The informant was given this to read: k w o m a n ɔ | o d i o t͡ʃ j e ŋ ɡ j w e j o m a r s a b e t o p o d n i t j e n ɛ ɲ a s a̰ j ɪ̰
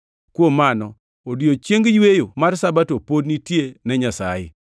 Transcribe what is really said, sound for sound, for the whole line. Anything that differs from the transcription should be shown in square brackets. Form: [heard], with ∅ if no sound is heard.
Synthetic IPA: k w o m a n ɔ | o d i o t͡ʃ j e ŋ ɡ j w e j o m a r s a b [a] t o p o d n i t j e n ɛ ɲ a s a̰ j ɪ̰